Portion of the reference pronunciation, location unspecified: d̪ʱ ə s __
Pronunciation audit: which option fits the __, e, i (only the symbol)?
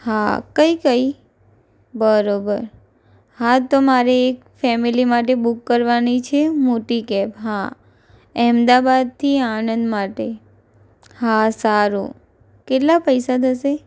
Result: e